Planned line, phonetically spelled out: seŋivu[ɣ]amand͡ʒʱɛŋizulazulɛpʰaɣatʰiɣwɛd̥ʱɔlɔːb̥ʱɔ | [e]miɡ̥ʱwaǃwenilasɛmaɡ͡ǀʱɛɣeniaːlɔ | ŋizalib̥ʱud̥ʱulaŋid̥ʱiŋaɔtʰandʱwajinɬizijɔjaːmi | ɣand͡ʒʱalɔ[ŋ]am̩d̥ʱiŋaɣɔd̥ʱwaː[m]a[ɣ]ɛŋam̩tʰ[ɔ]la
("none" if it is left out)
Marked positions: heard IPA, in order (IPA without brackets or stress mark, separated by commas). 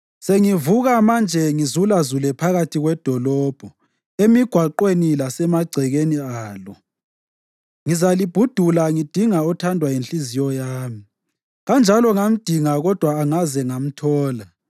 ɣ, e, ŋ, ŋ, z, ɔː